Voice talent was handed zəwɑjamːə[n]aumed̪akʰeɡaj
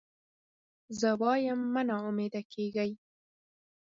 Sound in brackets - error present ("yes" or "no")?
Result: no